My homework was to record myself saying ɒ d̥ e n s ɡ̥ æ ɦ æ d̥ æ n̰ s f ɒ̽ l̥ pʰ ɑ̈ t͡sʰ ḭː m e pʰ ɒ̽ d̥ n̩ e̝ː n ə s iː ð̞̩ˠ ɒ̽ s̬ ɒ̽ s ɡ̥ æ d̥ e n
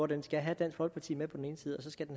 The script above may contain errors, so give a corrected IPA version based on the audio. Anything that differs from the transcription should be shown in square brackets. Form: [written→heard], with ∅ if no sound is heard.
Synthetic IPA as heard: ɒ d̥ e n s ɡ̥ æ ɦ æ d̥ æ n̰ s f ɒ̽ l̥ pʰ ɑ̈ t͡sʰ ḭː m e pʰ ɒ̽ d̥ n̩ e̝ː n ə s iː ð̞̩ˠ ɒ̽ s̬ ɒ̽ s ɡ̥ æ d̥ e n